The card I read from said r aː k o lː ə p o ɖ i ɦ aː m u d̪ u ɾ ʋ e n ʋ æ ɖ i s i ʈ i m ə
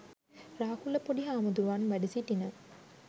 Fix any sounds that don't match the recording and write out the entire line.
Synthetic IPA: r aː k u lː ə p o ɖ i ɦ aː m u d̪ u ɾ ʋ a n ʋ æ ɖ i s i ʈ i n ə